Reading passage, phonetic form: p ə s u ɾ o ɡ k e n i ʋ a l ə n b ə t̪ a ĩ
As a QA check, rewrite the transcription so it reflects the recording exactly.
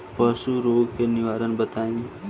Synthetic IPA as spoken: p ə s u ɾ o ɡ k e n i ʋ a ɾ ə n b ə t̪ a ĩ